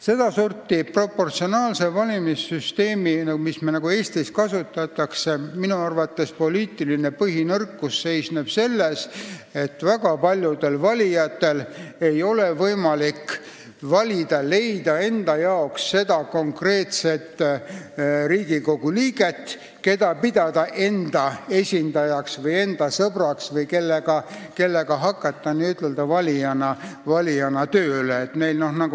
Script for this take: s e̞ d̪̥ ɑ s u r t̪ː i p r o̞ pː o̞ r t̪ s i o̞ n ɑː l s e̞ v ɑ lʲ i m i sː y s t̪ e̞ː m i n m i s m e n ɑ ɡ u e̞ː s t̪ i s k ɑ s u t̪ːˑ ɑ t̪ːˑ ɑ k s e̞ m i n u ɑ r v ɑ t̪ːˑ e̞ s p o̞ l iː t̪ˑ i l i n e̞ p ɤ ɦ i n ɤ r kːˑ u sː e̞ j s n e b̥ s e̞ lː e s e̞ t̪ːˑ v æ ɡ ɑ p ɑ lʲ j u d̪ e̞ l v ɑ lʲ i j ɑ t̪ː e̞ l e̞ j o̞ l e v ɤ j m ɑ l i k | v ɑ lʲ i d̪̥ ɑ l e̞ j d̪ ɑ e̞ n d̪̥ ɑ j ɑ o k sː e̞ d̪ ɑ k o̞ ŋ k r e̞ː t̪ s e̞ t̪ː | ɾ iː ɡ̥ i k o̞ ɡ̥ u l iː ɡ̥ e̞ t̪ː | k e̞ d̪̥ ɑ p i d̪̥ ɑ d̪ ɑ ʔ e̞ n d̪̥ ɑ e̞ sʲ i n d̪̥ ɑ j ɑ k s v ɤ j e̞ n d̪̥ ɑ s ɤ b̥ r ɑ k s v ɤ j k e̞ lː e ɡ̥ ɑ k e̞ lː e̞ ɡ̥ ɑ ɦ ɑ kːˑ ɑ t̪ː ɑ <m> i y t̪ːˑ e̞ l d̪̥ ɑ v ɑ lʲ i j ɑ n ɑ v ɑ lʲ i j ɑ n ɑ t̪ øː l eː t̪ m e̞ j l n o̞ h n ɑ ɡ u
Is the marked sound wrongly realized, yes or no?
yes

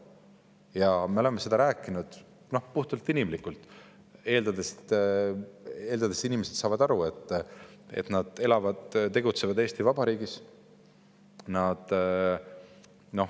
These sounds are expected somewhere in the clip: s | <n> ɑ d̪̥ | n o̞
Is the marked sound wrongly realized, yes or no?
no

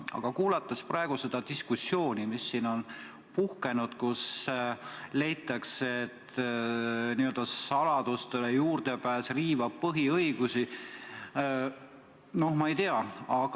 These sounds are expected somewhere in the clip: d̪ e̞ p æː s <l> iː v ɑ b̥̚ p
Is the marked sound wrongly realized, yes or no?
yes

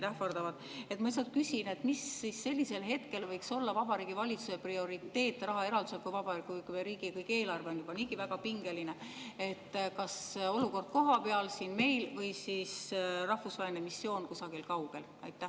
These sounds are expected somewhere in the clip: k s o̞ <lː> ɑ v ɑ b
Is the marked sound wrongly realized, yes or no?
no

